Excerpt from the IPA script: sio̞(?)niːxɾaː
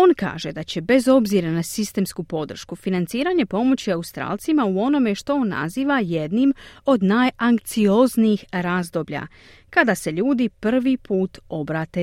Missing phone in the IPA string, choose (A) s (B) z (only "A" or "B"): B